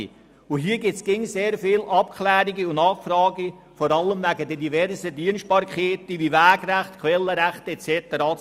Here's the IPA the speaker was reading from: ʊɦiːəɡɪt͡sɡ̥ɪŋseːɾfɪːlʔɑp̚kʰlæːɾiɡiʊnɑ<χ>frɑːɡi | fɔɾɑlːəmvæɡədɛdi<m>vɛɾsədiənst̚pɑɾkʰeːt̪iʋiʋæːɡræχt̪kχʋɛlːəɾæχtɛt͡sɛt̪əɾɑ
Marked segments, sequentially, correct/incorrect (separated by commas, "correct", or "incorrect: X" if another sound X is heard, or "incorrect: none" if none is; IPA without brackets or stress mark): correct, incorrect: none